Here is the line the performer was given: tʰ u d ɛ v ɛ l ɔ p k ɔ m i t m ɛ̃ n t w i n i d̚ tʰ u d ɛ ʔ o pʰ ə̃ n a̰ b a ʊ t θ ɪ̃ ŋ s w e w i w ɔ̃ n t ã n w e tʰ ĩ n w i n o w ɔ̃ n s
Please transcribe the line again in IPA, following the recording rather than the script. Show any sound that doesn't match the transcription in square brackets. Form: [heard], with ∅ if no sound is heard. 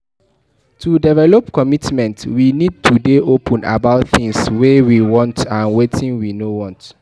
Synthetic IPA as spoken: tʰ u d ɛ v ɛ l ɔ p k ɔ m i t m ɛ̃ n t w i n i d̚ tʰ u d [e] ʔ o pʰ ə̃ n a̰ b a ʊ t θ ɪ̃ ŋ s w e w i w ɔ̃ n t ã n w e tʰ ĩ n w i n o w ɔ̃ n [t]

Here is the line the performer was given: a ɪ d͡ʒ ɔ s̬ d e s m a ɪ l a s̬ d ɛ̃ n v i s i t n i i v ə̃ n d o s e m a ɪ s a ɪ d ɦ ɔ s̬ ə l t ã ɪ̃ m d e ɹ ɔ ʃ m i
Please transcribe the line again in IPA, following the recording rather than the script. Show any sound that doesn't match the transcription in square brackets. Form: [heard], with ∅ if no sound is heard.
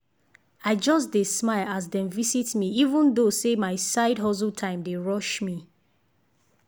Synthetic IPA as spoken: a ɪ d͡ʒ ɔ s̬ d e s m a ɪ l a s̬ d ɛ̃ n v i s i t [m] i i v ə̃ n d o s e m a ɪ s a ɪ d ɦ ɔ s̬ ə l [tʰ] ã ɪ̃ m d e ɹ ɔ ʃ m i

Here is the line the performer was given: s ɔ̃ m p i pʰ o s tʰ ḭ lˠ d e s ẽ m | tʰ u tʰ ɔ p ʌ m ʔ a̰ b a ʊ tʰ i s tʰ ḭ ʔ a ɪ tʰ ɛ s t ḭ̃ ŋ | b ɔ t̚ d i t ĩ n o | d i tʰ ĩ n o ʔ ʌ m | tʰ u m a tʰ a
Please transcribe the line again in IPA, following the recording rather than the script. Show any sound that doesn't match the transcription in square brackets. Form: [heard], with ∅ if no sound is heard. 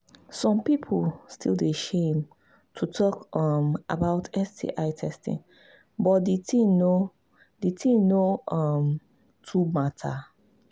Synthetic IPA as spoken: s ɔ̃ m p i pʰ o s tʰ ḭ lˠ d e [ʃ] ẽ m | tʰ u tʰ ɔ [k] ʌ m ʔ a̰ b a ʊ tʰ [ɛ] s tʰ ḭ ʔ a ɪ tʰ ɛ s t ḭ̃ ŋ | b ɔ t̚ d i t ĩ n o | d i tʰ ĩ n o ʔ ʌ m | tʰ u m a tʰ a

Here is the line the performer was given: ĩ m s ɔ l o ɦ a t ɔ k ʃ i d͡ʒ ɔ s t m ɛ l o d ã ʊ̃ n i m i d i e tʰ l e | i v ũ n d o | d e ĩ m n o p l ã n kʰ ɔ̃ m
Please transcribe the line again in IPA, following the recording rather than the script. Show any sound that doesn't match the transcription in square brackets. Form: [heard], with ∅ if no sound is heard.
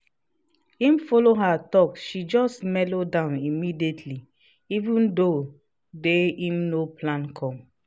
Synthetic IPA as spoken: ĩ m [f] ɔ l o ɦ a t ɔ k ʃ i d͡ʒ ɔ s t m ɛ l o d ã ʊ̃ n i m i d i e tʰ l [i] | i v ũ n d o | d e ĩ m n o p l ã n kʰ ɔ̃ m

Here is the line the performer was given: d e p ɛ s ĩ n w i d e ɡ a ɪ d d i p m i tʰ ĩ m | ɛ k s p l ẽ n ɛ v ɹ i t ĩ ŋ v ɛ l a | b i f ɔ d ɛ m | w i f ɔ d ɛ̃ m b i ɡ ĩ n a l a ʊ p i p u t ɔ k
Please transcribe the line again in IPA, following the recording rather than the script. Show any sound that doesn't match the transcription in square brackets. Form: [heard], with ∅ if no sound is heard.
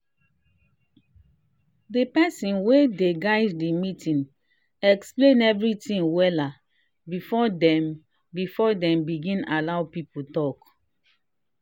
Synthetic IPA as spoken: d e p ɛ s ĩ n w [e] d e ɡ a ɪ d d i [∅] m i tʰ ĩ [n] | ɛ k s p l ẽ n ɛ v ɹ i t ĩ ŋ [w] ɛ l a | b i f ɔ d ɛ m | [b] i f ɔ d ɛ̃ m b i ɡ ĩ n a l a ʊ p i p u t ɔ k

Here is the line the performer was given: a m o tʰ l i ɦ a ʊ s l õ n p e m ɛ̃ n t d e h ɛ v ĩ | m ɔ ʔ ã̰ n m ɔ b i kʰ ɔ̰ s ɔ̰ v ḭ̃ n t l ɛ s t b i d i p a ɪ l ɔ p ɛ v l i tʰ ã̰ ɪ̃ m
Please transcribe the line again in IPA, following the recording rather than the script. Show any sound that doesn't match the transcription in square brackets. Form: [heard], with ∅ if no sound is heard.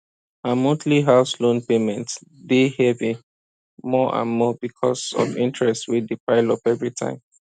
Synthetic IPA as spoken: a m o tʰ l i ɦ a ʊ s l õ n p e m ɛ̃ n t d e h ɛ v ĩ | m ɔ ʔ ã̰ n m ɔ b i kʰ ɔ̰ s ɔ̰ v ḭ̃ n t [ɹ] ɛ s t [w] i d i p a ɪ l ɔ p ɛ v [ɹ] i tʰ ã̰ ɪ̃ m

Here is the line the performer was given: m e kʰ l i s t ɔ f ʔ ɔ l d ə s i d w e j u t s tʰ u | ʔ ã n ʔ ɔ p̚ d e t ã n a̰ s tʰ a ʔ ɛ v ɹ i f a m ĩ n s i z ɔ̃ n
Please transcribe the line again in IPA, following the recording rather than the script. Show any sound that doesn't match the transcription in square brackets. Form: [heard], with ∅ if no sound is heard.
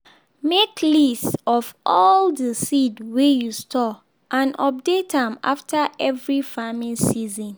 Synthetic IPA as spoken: m e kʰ l i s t ɔ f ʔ ɔ l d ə s i d w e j u [∅] s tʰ [ɔ] | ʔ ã n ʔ ɔ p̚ d e t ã [m] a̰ [f] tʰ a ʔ ɛ v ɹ i f a m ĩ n s i z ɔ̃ n

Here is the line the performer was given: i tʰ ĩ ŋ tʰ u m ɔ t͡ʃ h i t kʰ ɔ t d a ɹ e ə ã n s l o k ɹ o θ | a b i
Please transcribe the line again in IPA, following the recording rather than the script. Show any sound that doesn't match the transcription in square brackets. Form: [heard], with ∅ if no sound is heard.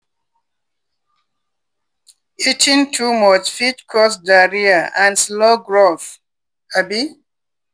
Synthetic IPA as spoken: i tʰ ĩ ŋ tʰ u m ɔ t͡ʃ [f] i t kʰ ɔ [s] d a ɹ [i] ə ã n s l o [ɡ] ɹ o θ | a b i

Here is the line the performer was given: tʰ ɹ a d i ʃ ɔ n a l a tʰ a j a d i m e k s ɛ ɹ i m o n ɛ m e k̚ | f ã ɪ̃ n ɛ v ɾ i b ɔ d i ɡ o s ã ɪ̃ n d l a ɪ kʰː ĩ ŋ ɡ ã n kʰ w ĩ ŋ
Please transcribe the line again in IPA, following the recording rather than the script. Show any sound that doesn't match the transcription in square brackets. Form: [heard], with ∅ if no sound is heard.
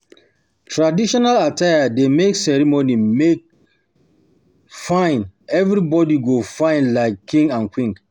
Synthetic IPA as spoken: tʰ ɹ a d i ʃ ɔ n a l a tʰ a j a d [e] m e k s ɛ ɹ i m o n [i] m e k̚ | f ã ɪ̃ n ɛ v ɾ i b ɔ d i ɡ o [f] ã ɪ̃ n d l a ɪ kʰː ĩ ŋ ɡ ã n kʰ w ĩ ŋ

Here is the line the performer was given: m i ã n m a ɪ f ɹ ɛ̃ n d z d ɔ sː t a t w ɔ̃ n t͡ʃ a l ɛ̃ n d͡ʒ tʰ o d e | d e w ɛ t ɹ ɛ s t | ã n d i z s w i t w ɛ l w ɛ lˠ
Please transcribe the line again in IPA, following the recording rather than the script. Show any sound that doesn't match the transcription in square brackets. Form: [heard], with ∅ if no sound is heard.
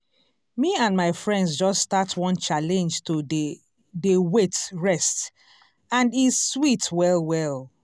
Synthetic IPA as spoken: m i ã n m a ɪ f ɹ ɛ̃ n d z [d͡ʒ] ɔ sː t a t w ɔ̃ n t͡ʃ a l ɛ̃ n d͡ʒ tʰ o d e | d e w [e] t ɹ ɛ s t | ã n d i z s w i t w ɛ l w ɛ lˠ

